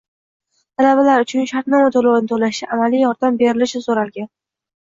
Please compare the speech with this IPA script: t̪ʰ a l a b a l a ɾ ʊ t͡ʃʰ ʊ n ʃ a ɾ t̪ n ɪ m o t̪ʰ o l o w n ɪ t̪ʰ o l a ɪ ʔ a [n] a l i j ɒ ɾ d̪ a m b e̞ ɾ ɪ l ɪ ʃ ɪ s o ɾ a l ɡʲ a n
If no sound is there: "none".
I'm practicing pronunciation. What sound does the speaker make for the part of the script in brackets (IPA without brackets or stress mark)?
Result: m